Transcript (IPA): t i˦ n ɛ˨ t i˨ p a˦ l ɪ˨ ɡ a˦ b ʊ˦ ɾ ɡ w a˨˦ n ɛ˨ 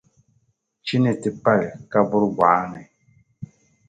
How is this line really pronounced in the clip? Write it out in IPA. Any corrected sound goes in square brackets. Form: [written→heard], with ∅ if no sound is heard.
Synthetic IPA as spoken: [t→t͡ʃ] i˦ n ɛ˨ t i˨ p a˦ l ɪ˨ [ɡ→k] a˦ b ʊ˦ ɾ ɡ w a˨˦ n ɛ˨